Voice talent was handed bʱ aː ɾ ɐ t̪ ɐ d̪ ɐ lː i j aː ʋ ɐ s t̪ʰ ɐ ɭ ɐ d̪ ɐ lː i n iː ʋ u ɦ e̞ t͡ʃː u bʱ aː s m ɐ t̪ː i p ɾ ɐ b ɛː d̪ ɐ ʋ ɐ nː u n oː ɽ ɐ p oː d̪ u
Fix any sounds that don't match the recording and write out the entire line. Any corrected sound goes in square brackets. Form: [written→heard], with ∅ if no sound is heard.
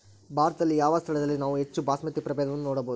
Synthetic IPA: bʱ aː ɾ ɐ t̪ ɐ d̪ ɐ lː i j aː ʋ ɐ s t̪ʰ ɐ ɭ ɐ d̪ ɐ lː i n [iː→aː] ʋ u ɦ e̞ t͡ʃː u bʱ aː s m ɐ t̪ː i p ɾ ɐ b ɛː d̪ ɐ ʋ ɐ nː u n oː ɽ ɐ [p→b] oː d̪ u